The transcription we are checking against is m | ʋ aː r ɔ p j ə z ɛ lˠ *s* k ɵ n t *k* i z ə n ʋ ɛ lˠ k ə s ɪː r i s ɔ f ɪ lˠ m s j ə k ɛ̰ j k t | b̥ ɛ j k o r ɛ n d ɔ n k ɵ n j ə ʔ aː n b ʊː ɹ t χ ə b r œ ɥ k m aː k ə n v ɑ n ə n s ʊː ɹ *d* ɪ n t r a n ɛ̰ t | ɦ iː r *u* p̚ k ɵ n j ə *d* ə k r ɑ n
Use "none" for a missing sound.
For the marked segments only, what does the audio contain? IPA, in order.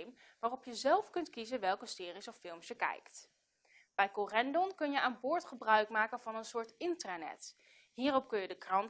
f, k, t, ɔ, d

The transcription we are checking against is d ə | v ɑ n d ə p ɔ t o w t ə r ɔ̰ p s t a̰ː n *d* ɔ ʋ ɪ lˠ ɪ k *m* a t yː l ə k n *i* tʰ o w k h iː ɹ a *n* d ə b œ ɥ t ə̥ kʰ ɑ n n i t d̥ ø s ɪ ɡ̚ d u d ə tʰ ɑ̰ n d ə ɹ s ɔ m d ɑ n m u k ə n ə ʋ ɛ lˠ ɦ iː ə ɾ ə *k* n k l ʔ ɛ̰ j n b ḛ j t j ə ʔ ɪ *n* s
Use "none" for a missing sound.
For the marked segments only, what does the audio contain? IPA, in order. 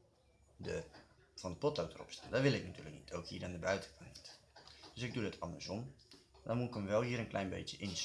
d, n, i, n, none, n

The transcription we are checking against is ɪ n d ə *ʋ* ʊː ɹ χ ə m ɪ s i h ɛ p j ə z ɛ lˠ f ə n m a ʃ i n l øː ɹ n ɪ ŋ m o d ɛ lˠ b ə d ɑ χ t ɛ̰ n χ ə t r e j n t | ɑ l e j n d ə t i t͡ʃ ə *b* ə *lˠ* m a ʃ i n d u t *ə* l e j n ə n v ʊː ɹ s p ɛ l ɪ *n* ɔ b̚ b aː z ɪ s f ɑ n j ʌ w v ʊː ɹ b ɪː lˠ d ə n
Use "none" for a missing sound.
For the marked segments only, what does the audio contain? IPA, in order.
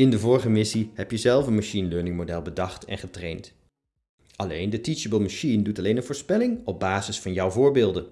v, b, lˠ, ɑ, ŋ

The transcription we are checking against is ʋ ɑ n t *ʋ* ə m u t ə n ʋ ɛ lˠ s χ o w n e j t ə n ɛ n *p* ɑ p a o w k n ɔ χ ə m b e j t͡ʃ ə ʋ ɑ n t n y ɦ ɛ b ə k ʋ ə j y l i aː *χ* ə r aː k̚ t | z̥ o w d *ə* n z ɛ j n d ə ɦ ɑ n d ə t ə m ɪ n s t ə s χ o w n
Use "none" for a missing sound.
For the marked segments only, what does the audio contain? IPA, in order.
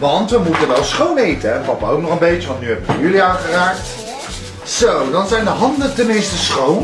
ʋ, p, χ, ɑ

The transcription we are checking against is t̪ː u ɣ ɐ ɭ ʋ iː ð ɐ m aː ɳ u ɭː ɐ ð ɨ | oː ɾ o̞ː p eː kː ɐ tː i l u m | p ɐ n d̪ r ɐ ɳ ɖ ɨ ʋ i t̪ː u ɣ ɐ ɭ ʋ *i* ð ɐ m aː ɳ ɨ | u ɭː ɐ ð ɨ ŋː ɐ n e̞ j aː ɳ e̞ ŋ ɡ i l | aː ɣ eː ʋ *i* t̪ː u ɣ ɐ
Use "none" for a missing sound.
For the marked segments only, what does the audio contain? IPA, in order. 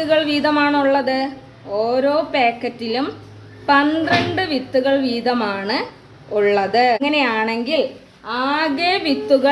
iː, i

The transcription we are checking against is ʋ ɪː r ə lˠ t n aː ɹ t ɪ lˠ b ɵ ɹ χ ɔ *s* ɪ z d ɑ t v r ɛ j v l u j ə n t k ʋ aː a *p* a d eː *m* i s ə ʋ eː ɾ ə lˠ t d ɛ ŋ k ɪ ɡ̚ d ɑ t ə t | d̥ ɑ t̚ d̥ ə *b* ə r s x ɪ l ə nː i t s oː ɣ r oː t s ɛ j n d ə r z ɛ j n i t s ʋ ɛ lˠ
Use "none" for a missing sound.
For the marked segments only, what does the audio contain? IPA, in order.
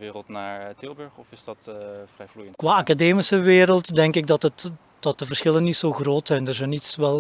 f, k, m, v

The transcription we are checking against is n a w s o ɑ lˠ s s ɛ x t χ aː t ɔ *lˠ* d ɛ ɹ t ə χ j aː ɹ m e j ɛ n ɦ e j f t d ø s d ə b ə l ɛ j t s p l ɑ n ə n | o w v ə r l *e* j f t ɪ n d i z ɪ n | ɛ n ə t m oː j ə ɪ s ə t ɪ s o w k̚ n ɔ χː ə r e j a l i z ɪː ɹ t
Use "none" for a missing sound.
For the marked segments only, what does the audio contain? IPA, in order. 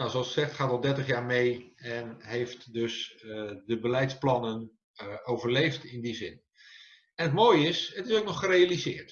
lˠ, e

